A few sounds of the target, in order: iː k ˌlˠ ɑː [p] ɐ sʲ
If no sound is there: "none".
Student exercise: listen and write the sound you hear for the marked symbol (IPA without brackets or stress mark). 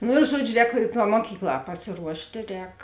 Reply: p